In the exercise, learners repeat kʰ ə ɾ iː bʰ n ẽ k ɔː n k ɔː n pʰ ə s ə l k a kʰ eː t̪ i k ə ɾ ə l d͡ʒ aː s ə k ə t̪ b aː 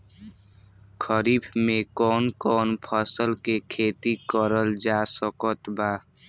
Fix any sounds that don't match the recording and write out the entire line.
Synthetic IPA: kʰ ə ɾ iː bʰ m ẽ k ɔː n k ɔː n pʰ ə s ə l k e kʰ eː t̪ i k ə ɾ ə l d͡ʒ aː s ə k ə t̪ b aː

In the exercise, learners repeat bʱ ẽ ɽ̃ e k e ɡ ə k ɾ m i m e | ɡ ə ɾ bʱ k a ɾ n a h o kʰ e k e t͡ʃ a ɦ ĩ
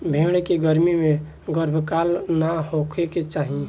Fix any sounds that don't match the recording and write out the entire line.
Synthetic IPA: bʱ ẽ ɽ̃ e k e ɡ ə ɾ m i m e | ɡ ə ɾ bʱ k a l n a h o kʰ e k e t͡ʃ a ɦ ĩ

